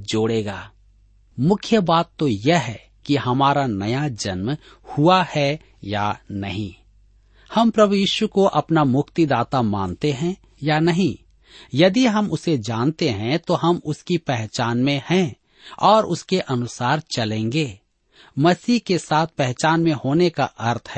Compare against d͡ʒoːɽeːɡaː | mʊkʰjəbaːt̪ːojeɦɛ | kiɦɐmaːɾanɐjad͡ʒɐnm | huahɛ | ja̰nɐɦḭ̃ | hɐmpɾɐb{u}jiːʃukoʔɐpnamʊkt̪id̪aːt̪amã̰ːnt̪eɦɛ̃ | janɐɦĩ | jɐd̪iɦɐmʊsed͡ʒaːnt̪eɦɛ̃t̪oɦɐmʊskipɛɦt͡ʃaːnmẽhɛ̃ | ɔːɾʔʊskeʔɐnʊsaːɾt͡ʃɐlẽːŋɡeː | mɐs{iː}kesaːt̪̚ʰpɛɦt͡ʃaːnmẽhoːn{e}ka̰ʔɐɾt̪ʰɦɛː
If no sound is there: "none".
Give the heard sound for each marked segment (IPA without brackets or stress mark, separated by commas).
u, iː, e